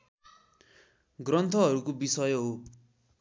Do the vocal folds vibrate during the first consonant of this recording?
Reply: yes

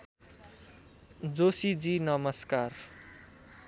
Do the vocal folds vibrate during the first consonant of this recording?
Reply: yes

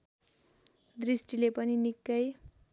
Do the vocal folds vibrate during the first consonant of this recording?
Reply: yes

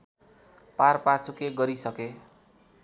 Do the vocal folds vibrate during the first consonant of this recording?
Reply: no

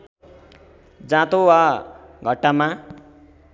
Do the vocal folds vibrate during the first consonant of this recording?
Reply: yes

